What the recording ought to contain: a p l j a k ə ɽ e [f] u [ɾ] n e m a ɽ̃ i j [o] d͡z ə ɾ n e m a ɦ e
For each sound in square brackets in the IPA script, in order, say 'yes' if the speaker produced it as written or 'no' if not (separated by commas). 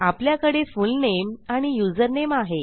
yes, no, no